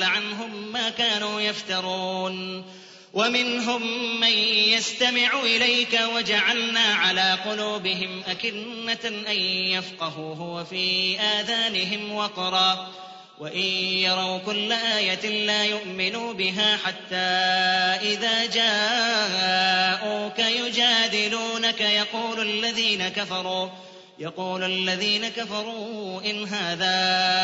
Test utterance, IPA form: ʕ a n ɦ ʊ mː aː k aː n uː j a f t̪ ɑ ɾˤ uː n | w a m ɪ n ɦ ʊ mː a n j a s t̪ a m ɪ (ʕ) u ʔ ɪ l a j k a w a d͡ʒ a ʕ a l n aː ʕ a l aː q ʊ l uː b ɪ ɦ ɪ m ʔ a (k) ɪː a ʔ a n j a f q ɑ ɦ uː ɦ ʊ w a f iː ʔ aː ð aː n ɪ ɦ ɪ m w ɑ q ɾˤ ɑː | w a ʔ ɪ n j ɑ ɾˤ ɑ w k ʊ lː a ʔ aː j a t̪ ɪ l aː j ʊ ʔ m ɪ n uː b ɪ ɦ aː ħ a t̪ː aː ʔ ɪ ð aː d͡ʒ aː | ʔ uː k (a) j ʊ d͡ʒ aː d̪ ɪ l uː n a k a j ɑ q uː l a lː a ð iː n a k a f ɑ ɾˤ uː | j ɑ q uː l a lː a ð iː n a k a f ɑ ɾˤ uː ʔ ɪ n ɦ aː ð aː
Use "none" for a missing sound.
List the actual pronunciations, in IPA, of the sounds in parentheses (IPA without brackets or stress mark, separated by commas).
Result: ʕ, k, a